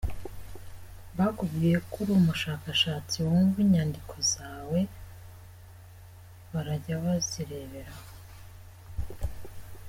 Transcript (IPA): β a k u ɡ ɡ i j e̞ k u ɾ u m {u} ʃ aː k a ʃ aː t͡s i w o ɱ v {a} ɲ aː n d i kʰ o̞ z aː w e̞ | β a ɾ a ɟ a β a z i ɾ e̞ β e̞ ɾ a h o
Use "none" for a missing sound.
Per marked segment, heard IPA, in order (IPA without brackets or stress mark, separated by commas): u, i